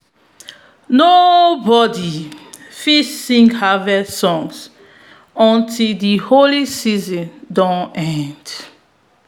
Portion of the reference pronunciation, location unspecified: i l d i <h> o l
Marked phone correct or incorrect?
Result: correct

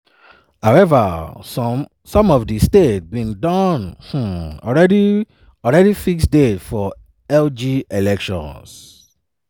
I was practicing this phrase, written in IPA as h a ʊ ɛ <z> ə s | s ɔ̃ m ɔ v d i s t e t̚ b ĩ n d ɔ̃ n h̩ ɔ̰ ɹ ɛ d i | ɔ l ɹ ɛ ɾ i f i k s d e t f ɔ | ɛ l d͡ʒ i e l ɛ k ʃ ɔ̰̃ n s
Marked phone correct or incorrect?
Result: incorrect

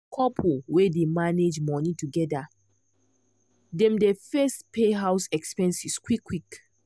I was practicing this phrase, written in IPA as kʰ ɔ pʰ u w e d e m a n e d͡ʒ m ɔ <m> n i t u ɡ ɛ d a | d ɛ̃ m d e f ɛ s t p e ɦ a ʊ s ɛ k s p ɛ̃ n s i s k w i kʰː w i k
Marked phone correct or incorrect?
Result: incorrect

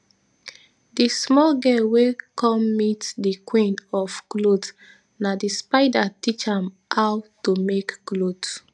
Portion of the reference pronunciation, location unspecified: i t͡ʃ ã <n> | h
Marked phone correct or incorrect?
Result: incorrect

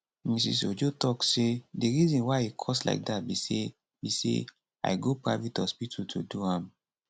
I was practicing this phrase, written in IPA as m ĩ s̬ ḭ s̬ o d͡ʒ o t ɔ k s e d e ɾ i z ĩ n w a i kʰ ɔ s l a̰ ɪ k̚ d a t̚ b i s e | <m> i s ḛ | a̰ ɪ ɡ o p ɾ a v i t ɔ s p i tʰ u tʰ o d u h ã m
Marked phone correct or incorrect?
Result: incorrect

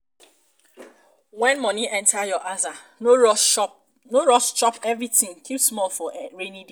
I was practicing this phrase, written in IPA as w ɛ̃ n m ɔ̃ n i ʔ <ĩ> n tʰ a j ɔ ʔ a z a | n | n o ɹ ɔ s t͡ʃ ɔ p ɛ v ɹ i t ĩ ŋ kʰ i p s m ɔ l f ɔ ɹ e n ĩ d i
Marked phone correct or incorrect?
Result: incorrect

